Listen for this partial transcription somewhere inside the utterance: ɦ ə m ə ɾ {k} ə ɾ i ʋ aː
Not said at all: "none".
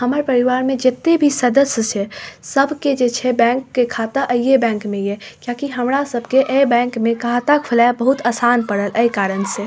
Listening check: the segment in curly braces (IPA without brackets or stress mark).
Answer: p